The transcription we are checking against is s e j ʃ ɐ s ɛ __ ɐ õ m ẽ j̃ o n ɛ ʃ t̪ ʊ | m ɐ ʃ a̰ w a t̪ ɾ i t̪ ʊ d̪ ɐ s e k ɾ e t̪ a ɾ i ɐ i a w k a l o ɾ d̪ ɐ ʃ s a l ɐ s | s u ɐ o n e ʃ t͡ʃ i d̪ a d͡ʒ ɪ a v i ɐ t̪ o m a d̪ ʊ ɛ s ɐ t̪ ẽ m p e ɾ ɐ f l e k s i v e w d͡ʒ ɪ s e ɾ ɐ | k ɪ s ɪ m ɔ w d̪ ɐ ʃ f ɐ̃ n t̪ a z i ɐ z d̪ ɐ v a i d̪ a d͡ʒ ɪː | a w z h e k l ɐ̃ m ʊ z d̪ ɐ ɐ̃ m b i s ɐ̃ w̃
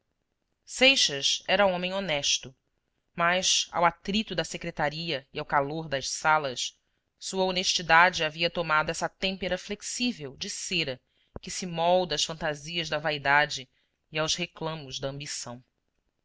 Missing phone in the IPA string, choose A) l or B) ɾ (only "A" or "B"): B